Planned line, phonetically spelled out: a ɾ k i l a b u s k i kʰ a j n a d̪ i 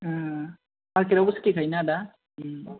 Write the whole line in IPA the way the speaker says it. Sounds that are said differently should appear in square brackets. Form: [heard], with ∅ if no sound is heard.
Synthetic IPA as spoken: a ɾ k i [ɾ] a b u s k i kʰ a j n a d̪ [a]